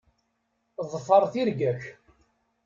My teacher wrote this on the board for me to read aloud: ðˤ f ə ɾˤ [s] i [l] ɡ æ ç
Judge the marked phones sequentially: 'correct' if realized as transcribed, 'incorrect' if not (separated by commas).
incorrect, incorrect